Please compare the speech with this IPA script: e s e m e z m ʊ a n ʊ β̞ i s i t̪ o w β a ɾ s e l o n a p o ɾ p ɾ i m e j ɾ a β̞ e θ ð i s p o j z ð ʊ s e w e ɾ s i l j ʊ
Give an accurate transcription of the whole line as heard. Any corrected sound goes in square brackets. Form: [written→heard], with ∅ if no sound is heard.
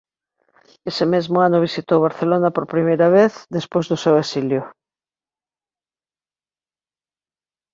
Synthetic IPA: e s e m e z m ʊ a n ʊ β̞ i s i t̪ o w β a ɾ [s→θ] e l o n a p o ɾ p ɾ i m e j ɾ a β̞ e θ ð [i→e] s p o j z ð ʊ s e w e [ɾ→∅] s i l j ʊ